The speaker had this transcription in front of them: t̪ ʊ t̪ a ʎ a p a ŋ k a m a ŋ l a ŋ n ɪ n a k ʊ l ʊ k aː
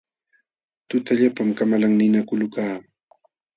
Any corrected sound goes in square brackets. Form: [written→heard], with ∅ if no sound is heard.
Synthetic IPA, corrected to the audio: t̪ ʊ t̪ a ʎ a p a [ŋ→m] k a m a [ŋ→∅] l a ŋ n ɪ n a k ʊ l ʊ k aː